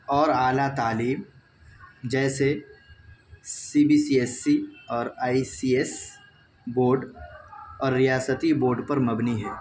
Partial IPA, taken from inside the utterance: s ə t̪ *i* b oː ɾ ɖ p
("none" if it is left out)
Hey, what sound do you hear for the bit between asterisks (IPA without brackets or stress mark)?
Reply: i